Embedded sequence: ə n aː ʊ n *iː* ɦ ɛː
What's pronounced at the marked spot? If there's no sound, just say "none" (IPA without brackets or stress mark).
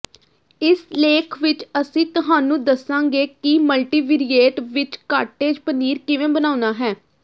aː